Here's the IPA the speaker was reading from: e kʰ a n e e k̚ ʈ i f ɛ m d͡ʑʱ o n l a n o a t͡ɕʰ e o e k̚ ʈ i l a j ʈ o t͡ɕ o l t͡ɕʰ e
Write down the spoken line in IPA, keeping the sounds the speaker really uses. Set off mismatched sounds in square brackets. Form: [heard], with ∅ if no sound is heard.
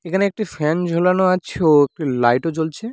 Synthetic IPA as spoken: e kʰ a n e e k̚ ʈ i f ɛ [n] d͡ʑʱ o [∅] l a n o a t͡ɕʰ e o e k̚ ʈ i l a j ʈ o t͡ɕ o l t͡ɕʰ e